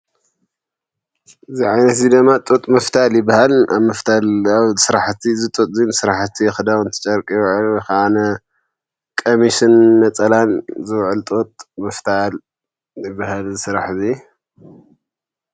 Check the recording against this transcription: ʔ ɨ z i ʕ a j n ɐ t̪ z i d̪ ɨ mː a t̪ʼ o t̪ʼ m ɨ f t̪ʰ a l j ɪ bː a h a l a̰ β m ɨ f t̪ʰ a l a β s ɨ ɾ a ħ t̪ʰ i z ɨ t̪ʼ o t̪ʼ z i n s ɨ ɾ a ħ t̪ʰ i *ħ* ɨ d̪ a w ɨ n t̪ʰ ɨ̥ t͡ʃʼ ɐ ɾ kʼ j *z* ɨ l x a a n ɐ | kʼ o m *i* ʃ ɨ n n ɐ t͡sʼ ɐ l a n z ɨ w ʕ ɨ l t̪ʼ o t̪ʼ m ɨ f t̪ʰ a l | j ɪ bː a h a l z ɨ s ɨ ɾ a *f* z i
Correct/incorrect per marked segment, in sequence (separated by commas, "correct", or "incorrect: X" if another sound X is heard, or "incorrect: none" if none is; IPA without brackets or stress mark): incorrect: x, incorrect: ʕ, correct, incorrect: ħ